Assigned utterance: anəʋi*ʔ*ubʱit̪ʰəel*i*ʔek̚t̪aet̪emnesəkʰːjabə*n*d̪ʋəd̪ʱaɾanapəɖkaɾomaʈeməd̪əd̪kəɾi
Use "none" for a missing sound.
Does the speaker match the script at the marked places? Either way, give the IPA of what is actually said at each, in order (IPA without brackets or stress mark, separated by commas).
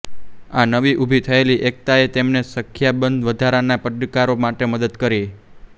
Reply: ʔ, i, n